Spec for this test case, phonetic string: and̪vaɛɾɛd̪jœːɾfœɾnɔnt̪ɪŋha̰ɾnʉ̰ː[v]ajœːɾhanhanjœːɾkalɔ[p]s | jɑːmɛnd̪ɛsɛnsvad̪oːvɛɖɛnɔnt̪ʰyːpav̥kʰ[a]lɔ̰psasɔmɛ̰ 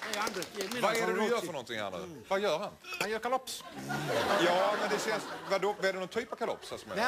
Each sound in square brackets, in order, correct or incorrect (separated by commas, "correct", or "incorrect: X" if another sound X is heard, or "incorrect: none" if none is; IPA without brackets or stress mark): correct, correct, correct